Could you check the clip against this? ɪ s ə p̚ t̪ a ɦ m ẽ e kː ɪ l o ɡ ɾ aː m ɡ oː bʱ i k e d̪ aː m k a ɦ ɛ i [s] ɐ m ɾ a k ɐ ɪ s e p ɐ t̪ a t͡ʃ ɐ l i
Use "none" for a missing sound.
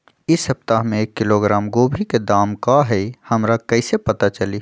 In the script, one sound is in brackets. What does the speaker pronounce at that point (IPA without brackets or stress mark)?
h